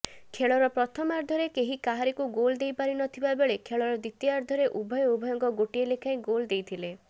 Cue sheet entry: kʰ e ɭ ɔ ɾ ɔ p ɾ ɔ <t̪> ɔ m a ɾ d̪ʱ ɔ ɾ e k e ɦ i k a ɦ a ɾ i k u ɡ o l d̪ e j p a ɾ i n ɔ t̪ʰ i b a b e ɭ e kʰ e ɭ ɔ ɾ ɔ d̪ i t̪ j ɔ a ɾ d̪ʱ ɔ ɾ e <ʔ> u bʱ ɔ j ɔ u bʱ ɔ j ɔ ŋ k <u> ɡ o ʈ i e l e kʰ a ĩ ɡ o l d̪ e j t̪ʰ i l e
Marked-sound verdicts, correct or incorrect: incorrect: t̪ʰ, correct, incorrect: ɔ

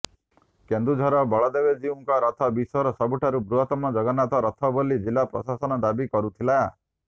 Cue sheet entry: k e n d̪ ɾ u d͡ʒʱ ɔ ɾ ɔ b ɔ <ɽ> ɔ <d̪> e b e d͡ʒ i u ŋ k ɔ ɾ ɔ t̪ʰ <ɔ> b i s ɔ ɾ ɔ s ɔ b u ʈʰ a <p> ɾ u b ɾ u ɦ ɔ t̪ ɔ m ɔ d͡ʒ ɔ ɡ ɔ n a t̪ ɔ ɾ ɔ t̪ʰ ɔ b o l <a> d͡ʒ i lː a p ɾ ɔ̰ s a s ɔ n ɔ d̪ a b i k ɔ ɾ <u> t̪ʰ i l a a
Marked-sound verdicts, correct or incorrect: incorrect: ɭ, correct, correct, incorrect: none, incorrect: i, correct

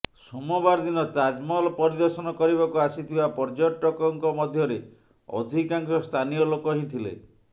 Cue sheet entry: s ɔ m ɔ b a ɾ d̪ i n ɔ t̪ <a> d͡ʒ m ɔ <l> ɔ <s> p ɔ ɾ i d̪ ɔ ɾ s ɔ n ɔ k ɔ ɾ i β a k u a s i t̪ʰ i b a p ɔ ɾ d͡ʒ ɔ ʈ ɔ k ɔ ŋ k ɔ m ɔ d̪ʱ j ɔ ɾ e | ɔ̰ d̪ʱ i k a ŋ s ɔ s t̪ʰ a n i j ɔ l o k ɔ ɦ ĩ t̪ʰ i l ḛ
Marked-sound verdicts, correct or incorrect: correct, correct, incorrect: none

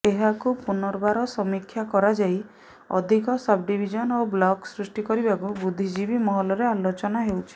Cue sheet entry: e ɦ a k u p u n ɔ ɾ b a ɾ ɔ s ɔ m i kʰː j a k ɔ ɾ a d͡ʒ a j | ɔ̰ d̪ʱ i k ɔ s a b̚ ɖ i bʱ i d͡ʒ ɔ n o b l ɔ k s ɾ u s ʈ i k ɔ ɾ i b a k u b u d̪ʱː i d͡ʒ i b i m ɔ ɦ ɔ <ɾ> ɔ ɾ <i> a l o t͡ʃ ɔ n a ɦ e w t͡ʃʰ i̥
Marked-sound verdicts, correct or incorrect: incorrect: l, incorrect: e

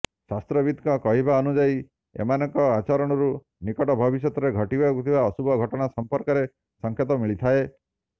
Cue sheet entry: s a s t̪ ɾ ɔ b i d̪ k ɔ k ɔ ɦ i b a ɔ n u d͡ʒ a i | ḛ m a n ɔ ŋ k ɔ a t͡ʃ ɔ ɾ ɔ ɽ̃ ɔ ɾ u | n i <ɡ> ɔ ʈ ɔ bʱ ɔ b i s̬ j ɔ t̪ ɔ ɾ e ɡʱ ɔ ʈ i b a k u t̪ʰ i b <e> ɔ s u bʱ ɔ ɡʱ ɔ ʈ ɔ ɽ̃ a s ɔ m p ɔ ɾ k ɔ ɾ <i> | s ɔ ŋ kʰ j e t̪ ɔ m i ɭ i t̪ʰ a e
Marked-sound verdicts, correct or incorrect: incorrect: k, incorrect: a, incorrect: e

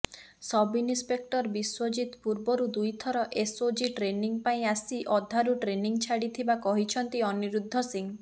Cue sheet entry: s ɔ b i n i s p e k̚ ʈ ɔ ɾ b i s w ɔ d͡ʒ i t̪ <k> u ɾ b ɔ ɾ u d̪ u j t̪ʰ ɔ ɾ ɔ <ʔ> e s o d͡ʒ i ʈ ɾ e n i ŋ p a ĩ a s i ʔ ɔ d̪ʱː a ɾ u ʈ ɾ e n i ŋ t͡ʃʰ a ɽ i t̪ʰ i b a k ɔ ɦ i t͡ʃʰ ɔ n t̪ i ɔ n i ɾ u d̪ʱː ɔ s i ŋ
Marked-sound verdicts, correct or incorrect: incorrect: p, correct

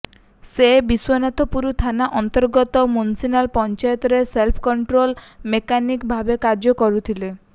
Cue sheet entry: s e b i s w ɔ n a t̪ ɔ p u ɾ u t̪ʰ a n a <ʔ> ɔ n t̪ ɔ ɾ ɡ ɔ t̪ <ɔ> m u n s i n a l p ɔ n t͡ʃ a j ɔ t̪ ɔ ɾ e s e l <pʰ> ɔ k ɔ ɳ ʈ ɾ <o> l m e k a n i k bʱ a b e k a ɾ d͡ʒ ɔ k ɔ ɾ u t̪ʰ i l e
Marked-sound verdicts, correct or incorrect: correct, correct, correct, correct

